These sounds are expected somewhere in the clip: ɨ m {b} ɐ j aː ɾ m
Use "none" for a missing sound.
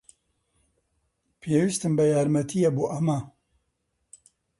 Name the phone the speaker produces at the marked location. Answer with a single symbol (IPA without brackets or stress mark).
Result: b